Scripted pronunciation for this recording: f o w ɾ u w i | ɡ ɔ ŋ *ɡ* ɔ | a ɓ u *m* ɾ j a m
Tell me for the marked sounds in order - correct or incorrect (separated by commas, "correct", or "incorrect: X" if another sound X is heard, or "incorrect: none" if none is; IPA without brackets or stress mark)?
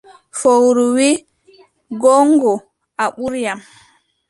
correct, incorrect: none